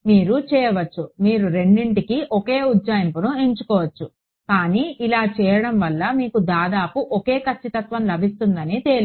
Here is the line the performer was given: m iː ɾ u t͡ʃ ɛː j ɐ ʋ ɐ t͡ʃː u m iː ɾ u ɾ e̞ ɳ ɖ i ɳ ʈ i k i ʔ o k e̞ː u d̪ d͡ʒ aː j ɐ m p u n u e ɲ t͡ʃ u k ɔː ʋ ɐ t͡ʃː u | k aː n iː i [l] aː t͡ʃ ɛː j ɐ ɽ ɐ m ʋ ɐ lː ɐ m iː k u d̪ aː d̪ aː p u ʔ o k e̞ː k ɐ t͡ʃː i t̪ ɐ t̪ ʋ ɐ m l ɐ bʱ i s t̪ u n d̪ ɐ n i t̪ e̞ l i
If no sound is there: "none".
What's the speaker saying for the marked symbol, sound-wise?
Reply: l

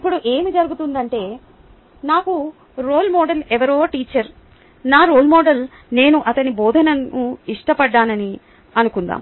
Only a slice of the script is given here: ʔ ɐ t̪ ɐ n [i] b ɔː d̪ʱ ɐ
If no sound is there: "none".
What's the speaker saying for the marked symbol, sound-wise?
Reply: i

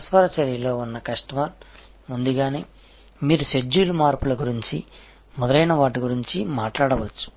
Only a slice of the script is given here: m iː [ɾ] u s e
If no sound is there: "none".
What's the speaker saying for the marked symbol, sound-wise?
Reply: ɾ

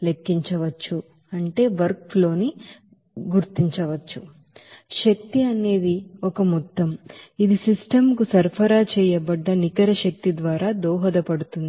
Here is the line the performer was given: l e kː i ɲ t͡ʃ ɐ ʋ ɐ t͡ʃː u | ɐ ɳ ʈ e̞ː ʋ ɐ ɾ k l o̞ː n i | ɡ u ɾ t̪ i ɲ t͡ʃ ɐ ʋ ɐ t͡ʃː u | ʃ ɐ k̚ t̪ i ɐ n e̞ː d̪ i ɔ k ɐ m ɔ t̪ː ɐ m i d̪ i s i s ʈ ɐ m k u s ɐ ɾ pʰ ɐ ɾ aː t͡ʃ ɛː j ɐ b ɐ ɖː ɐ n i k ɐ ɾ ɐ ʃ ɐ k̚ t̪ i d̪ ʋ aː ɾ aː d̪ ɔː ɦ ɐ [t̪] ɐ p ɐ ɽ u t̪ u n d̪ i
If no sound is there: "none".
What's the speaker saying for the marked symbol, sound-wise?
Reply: d̪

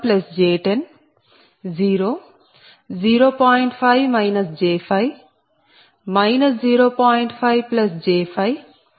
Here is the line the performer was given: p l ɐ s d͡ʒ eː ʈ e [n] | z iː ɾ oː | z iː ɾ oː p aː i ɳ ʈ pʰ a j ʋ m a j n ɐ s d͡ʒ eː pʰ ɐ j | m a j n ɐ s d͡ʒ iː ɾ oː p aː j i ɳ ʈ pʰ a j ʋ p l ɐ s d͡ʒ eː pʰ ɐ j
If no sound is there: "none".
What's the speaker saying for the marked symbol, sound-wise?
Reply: n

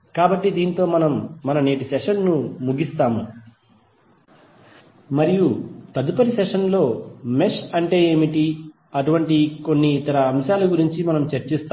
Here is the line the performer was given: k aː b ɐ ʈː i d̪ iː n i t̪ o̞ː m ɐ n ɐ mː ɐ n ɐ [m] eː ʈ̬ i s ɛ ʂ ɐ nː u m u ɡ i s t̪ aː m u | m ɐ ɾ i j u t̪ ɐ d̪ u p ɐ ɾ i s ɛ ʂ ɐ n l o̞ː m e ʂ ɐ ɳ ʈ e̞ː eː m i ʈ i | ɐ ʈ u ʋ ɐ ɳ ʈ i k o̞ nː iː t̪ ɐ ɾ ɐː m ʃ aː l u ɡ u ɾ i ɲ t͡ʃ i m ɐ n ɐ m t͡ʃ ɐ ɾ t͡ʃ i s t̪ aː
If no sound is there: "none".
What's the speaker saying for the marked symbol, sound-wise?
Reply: n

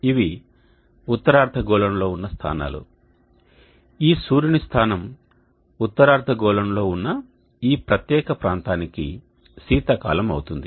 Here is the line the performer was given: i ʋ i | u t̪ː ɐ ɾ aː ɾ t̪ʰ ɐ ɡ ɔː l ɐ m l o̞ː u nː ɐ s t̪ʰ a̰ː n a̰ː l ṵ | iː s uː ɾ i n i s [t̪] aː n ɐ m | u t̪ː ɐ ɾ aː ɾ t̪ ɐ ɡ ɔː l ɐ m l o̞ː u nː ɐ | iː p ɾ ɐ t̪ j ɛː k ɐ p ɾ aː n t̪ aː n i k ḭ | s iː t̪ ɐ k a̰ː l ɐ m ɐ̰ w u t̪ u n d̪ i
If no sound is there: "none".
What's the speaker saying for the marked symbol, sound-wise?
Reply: t̪ʰ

